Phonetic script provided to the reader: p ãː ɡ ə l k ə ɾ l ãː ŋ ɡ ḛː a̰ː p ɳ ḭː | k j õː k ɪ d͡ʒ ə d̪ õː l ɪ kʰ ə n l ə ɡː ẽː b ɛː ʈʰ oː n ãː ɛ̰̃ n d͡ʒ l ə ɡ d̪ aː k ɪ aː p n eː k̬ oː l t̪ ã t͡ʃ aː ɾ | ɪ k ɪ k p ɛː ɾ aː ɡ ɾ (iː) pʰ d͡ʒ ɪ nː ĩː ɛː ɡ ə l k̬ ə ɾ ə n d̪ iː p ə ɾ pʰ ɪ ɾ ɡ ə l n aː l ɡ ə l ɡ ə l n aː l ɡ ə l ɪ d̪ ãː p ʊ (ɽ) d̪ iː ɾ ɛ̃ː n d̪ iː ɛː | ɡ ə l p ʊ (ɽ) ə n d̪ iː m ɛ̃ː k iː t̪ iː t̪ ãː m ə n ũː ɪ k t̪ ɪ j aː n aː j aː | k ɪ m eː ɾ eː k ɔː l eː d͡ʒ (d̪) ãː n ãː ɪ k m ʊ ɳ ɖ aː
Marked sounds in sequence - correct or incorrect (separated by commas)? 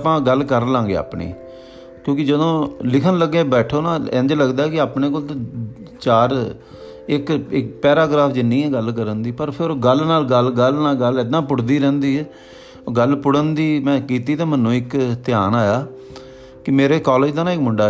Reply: incorrect, correct, correct, correct